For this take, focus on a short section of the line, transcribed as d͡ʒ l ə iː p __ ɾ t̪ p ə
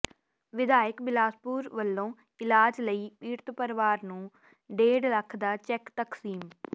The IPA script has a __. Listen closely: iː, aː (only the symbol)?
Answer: iː